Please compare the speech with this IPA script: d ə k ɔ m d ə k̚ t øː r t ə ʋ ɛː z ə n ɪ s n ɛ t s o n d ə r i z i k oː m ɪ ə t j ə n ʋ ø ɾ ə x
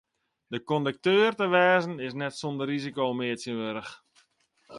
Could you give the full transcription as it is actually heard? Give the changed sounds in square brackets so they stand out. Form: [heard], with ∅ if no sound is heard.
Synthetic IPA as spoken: d ə k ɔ [n] d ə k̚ t øː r t ə ʋ ɛː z ə n ɪ s n ɛ t s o n d ə r i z i k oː m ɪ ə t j ə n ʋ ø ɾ ə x